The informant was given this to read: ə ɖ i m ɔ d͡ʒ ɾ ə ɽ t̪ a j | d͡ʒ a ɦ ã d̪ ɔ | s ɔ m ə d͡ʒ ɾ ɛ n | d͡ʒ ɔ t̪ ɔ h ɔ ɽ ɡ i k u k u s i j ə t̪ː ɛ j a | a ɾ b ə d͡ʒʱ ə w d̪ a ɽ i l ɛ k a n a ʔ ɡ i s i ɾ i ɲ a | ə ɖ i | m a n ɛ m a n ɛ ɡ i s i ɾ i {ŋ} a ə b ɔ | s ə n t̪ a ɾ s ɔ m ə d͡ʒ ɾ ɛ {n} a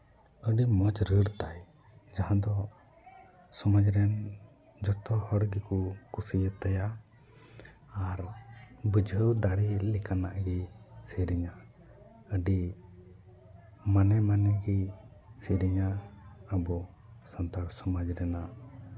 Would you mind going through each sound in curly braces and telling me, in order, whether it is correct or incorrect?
incorrect: ɲ, correct

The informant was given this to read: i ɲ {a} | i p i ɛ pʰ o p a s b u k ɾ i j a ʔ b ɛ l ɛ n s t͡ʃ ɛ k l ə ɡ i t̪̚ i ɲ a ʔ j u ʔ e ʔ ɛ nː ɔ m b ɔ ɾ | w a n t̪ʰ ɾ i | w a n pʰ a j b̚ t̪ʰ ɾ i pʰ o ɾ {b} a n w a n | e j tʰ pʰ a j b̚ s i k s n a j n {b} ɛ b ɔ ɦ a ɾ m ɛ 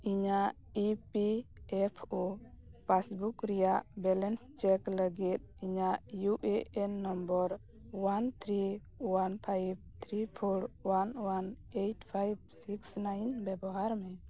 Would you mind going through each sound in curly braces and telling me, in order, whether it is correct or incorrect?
correct, incorrect: w, correct

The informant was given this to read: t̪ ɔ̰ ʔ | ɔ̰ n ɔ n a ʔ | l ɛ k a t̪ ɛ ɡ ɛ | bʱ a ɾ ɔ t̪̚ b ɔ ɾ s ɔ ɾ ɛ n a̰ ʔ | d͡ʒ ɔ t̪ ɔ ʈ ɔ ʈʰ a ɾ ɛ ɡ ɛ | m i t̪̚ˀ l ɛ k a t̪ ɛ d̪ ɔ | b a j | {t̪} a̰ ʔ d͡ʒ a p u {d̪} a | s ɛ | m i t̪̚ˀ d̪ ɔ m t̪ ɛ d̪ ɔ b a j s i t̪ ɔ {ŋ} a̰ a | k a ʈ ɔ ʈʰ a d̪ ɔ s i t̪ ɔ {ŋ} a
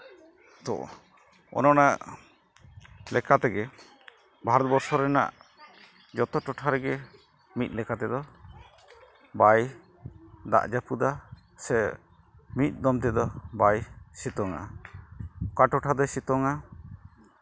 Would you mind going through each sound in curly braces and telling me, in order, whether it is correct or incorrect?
incorrect: d̪, correct, correct, correct

